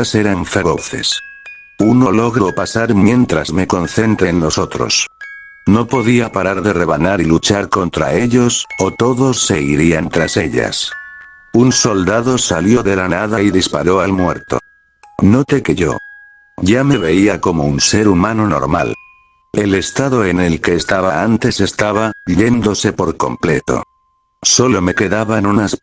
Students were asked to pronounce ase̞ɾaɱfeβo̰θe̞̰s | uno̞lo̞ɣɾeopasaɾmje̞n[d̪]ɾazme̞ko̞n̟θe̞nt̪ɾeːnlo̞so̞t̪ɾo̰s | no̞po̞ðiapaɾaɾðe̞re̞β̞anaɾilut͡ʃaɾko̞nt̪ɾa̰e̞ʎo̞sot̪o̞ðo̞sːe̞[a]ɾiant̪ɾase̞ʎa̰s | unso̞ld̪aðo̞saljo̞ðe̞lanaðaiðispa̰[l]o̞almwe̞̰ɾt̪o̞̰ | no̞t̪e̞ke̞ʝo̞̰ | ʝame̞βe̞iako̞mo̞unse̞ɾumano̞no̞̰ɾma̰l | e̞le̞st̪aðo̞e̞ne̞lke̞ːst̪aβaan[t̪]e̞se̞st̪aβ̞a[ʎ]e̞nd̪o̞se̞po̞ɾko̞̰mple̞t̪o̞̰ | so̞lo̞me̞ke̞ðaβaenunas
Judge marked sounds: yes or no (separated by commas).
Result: no, no, no, yes, yes